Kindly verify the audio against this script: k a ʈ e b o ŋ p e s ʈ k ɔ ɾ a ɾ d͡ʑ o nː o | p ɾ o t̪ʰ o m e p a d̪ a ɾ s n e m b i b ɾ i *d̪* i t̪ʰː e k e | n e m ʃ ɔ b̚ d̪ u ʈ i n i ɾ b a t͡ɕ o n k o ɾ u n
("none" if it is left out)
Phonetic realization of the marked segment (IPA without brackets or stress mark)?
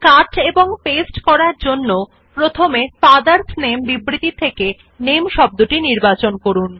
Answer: t̪